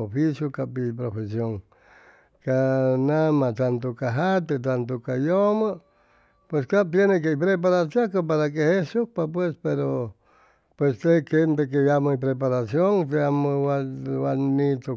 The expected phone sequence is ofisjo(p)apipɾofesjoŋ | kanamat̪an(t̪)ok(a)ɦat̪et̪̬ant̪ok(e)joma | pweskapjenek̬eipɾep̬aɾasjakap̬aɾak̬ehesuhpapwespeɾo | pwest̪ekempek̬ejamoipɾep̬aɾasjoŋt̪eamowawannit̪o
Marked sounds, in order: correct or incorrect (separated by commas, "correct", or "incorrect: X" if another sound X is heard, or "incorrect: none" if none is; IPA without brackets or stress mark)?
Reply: incorrect: k, correct, correct, incorrect: a